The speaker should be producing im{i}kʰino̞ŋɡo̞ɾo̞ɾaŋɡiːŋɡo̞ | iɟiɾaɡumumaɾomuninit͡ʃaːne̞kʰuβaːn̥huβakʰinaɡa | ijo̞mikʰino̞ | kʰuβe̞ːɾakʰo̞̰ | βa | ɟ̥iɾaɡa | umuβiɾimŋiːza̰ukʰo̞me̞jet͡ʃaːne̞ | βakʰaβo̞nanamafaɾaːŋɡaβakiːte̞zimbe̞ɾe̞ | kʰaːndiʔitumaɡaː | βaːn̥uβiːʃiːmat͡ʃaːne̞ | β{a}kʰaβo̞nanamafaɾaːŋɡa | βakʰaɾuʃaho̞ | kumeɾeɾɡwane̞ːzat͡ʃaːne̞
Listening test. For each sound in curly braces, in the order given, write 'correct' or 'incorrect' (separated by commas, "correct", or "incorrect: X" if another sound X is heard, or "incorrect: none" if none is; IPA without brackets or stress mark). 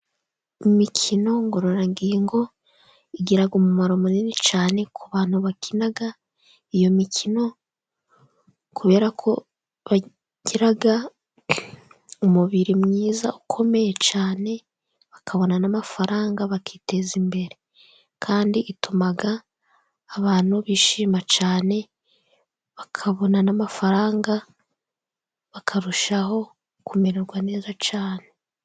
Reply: correct, correct